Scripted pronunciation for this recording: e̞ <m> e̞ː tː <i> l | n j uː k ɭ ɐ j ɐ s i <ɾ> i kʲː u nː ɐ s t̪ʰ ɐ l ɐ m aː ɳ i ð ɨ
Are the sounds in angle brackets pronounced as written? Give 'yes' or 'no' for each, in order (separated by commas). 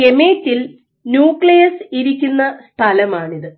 yes, yes, yes